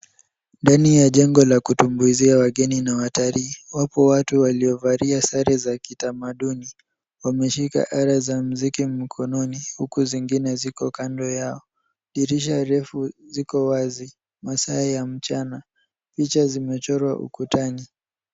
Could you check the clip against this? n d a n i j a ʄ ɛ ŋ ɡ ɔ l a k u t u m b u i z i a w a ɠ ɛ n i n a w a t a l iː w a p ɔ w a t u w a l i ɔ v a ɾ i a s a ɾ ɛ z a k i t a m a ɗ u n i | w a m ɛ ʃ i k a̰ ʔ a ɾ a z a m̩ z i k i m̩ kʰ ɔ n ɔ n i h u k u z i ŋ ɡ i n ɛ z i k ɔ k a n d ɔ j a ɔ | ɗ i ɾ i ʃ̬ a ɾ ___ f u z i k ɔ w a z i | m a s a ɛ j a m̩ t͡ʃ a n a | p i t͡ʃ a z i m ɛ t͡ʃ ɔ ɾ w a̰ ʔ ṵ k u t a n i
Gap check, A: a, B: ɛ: B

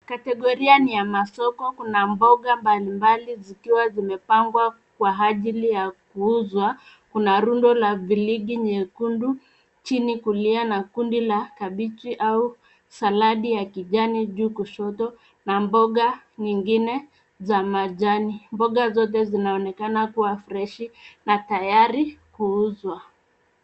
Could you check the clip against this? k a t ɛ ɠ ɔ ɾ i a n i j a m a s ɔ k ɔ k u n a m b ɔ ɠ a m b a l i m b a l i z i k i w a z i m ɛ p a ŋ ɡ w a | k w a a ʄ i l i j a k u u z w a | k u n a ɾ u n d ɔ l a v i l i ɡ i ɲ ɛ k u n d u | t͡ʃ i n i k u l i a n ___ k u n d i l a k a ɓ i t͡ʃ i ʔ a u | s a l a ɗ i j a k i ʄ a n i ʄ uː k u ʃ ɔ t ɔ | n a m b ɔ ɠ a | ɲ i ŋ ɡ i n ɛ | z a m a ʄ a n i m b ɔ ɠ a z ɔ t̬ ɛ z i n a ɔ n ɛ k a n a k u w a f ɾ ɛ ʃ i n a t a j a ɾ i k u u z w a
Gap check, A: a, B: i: A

